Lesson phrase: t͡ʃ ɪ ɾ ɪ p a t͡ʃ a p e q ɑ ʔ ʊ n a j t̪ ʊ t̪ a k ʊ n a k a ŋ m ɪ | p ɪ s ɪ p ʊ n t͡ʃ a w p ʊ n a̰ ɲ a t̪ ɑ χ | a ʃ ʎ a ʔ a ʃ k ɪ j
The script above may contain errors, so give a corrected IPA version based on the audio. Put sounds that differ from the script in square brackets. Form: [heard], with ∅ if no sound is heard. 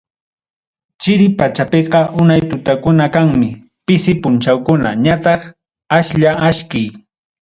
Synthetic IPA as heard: t͡ʃ ɪ ɾ ɪ p a t͡ʃ a p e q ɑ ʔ ʊ n a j t̪ ʊ t̪ a k ʊ n a k a ŋ m ɪ | p ɪ s ɪ p ʊ n t͡ʃ a w [k] ʊ n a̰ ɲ a t̪ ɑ χ | a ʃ ʎ a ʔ a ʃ k ɪ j